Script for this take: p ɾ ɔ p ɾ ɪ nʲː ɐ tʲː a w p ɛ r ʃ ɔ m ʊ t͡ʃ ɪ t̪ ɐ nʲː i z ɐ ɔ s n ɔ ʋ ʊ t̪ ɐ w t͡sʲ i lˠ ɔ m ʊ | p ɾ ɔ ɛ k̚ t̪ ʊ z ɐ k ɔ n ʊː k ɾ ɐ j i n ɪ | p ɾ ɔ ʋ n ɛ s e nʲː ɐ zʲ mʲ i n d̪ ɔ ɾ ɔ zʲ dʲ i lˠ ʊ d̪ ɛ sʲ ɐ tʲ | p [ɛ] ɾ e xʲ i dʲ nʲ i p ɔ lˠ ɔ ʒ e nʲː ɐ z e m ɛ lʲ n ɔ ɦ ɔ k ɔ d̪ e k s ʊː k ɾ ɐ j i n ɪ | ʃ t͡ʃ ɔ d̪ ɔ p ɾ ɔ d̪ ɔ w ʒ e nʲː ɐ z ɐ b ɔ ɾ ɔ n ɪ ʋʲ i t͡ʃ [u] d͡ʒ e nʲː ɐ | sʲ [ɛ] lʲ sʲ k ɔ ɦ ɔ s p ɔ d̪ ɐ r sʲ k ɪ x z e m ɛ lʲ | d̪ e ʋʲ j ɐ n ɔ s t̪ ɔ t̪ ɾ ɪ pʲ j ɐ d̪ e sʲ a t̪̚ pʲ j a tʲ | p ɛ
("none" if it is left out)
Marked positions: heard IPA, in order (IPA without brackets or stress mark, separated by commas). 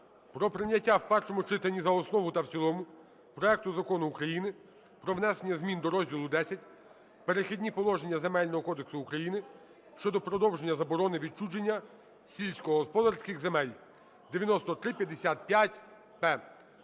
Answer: e, u, i